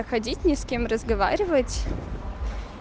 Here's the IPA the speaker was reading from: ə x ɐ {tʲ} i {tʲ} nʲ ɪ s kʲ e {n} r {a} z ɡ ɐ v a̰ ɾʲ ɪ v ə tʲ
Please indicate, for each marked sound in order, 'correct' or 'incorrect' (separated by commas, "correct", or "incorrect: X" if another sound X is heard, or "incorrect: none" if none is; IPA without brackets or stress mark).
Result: incorrect: dʲ, correct, incorrect: m, incorrect: ə